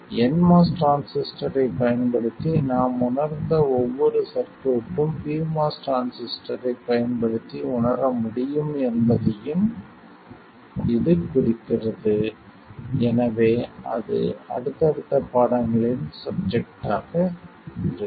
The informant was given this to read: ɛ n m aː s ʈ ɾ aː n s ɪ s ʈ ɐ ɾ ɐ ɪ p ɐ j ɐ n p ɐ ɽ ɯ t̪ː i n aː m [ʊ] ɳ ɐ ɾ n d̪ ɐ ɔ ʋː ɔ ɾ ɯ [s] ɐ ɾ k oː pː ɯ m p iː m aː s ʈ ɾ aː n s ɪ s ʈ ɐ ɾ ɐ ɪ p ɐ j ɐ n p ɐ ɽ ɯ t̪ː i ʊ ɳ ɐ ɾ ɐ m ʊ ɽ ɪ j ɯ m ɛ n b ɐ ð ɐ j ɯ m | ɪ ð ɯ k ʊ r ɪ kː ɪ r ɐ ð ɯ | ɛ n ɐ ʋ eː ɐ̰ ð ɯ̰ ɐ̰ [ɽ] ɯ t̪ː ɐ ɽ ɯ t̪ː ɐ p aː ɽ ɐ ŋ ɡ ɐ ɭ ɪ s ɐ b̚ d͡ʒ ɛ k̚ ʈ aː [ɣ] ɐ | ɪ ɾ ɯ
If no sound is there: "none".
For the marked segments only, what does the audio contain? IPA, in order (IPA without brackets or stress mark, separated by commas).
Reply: ʊ, s, ɽ, ɣ